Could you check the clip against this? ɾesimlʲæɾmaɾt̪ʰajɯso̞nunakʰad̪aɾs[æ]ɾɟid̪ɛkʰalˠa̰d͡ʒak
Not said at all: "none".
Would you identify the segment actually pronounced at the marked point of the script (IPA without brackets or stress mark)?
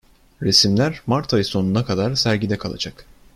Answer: æ